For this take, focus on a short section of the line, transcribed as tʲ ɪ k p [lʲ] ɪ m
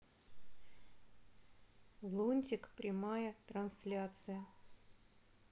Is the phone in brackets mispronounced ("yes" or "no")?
yes